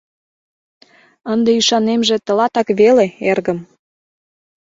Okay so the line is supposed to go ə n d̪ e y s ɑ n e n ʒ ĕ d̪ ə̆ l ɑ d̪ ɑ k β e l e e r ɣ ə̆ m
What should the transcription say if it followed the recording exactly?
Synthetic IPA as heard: ə n d̪ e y ʃ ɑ n e m ʒ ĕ t̪ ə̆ l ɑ t̪ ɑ k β e l e e r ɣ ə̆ m